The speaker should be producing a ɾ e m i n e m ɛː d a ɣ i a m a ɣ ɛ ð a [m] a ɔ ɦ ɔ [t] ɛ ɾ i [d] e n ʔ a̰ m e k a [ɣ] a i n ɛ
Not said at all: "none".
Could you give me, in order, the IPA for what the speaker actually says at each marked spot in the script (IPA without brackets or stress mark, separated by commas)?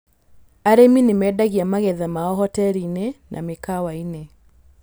m, t, n, w